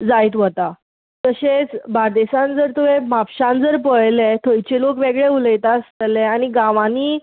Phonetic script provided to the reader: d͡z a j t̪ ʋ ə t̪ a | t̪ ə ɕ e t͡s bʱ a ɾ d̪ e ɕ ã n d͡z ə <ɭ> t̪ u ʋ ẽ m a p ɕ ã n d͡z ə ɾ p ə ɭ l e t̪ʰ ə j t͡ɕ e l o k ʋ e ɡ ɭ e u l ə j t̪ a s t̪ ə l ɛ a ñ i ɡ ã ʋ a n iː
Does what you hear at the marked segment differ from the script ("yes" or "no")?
yes